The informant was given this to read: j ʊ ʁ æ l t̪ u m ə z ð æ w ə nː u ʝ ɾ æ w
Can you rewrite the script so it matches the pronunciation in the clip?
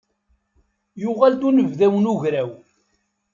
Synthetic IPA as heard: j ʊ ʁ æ l t̪ u n ə v ð æ w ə n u ʝ ɾ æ w

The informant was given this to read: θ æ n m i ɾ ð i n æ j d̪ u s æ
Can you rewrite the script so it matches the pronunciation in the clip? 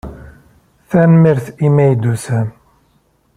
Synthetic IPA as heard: θ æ n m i ɾ θ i m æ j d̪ u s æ

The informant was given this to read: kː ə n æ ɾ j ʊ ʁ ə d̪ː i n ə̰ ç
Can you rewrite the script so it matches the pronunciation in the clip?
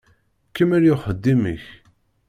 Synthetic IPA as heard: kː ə m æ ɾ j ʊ χ ə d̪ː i m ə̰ ç

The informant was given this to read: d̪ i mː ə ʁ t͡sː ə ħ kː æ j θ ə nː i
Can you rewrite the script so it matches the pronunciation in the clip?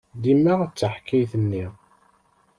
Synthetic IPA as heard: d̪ i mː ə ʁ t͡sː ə ħ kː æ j θ ə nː i

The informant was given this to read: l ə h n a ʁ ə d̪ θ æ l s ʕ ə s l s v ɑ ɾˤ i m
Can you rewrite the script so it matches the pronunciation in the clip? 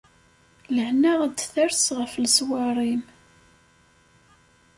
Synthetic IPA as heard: l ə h n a ʁ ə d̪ θ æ ɾ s ʁ ə f l s w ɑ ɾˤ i m

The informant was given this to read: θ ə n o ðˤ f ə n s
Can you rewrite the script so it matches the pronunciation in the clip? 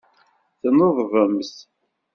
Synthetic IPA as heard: θ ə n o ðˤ v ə m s

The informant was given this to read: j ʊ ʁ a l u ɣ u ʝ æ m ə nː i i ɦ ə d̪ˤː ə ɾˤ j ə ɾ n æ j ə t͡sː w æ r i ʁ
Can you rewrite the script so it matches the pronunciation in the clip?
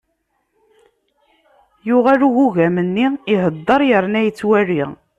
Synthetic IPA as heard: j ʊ ʁ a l u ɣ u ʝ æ m ə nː i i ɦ ə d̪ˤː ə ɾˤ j ə ɾ n æ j ə t͡sː w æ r i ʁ

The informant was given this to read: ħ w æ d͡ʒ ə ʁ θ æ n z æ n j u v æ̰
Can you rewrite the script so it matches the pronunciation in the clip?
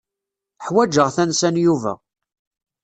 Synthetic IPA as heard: ħ w æ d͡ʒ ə ʁ θ æ n s æ n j u v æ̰

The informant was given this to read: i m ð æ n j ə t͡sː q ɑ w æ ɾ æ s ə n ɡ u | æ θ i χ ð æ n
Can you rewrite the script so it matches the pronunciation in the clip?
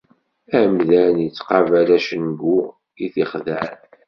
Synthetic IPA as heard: æ m ð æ n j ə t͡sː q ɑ v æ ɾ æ ʃ ə n ɡ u | i θ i χ ð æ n

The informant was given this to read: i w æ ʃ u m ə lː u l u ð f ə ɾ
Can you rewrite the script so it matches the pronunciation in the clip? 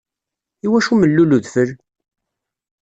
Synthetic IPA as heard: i w æ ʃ u m ə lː u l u ð f ə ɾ

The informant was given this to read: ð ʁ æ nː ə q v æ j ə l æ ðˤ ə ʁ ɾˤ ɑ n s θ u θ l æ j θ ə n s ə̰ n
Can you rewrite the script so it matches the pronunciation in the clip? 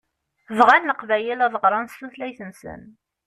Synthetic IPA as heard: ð ʁ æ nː ə q v æ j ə l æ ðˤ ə ʁ ɾˤ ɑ n s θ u θ l æ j θ ə n s ə̰ n

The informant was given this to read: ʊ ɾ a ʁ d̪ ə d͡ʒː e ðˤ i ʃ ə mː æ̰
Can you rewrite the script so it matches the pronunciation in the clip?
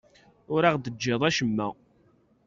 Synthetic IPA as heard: ʊ ɾ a ʁ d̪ ə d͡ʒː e ðˤ æ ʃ ə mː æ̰

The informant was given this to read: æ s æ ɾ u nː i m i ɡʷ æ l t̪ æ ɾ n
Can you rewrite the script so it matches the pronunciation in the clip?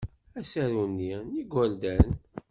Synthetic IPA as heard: æ s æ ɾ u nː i n i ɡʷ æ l d̪ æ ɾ n

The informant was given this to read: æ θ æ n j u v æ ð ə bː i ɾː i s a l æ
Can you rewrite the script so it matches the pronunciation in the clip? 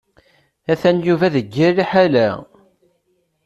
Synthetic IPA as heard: æ θ æ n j u v æ ð ə ɡː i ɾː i ħ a l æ

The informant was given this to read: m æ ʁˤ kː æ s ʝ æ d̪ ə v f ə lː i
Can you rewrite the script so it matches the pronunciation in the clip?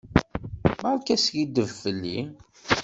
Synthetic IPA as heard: m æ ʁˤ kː æ s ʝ i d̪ ə v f ə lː i

